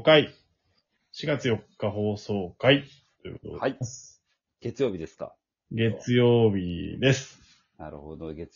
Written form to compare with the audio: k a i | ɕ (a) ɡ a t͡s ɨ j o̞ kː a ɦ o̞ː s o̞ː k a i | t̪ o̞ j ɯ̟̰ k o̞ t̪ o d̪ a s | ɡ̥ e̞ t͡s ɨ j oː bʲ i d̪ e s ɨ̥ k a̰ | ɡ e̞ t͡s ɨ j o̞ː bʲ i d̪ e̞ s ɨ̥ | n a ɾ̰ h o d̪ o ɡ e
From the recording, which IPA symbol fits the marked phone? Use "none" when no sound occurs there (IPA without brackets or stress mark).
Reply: i